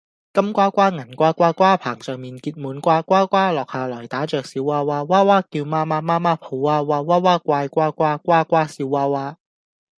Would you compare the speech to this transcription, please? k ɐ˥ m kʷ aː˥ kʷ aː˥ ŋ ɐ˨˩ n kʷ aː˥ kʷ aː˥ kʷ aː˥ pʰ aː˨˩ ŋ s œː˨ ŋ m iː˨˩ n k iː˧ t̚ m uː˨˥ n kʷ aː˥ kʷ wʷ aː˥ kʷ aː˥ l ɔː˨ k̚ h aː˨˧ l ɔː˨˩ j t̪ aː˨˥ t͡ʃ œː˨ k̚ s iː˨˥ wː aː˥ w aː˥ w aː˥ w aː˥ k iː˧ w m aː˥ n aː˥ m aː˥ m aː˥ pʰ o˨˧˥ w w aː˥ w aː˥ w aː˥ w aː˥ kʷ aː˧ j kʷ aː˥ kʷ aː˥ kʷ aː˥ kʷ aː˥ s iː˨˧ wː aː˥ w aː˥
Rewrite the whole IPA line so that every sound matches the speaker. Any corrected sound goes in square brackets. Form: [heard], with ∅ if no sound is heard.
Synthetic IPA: k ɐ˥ m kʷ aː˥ kʷ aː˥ ŋ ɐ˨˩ n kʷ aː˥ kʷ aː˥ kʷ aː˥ pʰ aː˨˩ ŋ s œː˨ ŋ m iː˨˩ n k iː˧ t̚ m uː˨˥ n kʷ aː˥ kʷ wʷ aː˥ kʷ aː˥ l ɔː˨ k̚ h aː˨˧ l ɔː˨˩ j t̪ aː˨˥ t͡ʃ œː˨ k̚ s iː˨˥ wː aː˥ w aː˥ w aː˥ w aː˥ k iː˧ w m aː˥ [m] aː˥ m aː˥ m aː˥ pʰ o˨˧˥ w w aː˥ w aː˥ w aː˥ w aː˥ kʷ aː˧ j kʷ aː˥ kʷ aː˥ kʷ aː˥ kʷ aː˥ s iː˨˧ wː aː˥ w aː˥

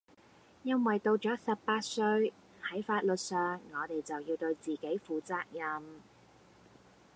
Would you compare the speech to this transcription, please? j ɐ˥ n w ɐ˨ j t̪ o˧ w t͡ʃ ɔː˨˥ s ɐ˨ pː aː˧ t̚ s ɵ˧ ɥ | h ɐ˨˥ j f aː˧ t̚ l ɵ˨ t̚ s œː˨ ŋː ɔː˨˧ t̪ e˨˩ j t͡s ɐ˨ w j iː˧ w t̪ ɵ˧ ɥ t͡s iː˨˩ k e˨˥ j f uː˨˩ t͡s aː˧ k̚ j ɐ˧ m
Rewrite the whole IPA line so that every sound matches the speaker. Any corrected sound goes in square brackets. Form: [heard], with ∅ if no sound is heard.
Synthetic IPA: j ɐ˥ n w ɐ˨ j t̪ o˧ w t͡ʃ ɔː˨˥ s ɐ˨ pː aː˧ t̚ s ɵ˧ ɥ | h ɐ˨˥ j f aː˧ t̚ l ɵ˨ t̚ s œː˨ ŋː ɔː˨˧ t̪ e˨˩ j t͡s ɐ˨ w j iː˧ w t̪ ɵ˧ ɥ t͡s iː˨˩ k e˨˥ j f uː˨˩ t͡s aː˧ k̚ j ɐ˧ m

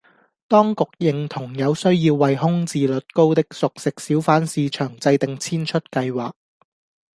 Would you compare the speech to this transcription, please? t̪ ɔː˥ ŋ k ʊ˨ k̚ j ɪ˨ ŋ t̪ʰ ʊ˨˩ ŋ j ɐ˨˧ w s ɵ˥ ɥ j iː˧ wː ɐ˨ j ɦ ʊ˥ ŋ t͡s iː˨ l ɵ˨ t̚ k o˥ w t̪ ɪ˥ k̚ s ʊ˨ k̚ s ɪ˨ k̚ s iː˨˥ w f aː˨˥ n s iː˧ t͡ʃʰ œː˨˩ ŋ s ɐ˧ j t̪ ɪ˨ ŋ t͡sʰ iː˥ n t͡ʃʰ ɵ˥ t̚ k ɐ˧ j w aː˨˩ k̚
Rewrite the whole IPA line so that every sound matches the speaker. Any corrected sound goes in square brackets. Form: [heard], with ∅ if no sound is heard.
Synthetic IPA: t̪ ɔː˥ ŋ k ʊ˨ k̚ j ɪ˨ ŋ t̪ʰ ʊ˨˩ ŋ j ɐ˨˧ w s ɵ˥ ɥ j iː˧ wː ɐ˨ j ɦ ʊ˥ ŋ t͡s iː˨ l ɵ˨ t̚ k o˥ w t̪ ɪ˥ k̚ s ʊ˨ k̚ s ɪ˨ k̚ s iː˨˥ w f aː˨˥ n s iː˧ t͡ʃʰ œː˨˩ ŋ [t͡s] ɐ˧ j t̪ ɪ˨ ŋ t͡sʰ iː˥ n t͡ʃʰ ɵ˥ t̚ k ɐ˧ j w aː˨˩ k̚

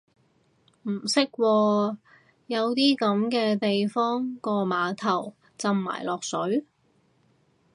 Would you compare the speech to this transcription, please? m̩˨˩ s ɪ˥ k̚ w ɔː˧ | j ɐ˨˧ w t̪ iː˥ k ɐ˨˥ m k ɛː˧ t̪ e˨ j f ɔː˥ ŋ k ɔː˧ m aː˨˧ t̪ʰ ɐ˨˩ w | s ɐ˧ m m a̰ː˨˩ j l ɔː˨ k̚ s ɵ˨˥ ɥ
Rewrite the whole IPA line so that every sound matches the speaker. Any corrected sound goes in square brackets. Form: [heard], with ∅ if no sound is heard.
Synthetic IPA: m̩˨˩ s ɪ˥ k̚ w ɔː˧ | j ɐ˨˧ w t̪ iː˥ k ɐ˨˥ m k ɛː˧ t̪ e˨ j f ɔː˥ ŋ k ɔː˧ m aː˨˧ t̪ʰ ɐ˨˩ w | [t͡s] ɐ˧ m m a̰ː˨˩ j l ɔː˨ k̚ s ɵ˨˥ ɥ

